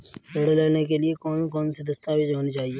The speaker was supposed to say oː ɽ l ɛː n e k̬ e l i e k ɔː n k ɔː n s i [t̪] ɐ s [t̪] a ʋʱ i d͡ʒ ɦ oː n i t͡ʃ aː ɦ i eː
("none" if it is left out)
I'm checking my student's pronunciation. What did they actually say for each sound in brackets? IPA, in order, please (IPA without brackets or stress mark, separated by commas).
d̪, t̪